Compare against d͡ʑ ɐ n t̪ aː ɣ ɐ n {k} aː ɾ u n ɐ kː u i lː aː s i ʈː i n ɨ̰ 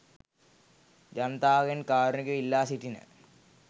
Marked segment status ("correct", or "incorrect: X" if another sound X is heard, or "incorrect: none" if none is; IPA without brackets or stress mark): correct